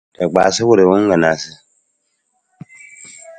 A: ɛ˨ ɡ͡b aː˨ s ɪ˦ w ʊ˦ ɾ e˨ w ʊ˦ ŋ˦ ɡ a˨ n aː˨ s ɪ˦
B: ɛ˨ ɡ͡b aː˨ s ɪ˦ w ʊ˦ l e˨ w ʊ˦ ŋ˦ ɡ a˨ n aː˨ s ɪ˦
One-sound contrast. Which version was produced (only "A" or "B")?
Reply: A